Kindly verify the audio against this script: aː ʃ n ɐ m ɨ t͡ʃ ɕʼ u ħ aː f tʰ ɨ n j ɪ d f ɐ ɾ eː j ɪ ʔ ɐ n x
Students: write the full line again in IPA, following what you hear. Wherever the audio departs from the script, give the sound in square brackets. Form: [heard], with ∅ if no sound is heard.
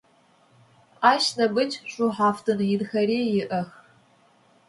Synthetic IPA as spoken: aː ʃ n ɐ [b] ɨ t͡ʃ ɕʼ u ħ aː f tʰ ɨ n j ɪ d [x] ɐ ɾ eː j ɪ ʔ ɐ [∅] x